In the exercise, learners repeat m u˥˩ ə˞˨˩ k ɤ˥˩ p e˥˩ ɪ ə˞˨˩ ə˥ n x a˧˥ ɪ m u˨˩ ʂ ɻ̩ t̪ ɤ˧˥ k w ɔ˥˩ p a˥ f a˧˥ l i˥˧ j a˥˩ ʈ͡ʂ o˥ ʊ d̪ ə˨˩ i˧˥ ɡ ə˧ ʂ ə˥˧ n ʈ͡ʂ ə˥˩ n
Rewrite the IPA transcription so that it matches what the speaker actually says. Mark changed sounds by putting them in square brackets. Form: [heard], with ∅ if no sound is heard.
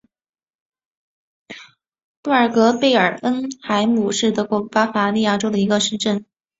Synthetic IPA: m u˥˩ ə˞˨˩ k [ɤ˧˥] p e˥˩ ɪ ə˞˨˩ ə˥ n x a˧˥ ɪ m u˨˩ ʂ ɻ̩ t̪ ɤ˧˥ k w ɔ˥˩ p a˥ f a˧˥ l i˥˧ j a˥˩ ʈ͡ʂ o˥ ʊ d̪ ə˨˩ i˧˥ ɡ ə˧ ʂ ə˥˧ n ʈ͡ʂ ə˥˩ n